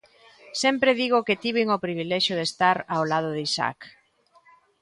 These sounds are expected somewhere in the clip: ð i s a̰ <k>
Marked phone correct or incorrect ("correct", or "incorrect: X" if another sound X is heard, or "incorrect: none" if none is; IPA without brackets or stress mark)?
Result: correct